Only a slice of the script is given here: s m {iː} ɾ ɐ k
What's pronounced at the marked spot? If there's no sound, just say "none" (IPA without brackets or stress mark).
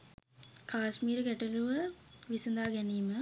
iː